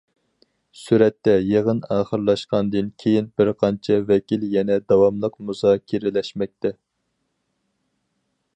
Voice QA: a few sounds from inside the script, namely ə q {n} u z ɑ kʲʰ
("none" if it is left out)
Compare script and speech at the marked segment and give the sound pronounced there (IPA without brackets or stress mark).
m